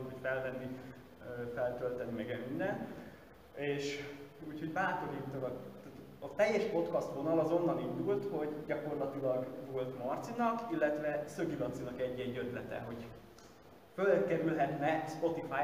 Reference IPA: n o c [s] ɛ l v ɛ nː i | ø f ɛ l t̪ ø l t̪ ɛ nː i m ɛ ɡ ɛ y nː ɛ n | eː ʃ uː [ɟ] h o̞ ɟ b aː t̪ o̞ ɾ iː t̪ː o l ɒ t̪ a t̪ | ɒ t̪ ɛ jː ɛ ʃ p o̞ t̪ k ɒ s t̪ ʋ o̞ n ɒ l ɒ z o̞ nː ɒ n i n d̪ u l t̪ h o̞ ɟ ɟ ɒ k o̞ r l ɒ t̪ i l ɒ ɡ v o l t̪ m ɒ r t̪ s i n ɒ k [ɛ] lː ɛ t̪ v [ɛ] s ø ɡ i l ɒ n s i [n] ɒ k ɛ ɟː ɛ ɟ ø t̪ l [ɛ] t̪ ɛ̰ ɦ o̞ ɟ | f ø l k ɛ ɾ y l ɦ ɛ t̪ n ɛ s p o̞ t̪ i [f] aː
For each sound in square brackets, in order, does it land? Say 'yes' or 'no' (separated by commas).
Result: no, no, no, yes, yes, yes, yes